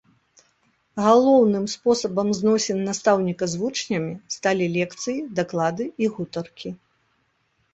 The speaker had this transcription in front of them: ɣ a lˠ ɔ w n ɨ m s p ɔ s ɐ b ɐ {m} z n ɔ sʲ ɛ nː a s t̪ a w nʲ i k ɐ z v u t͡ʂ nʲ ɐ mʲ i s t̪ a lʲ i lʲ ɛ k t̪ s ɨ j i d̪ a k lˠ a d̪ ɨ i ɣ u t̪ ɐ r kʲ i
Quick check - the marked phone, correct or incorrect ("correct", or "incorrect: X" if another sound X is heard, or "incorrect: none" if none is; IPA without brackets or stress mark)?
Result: correct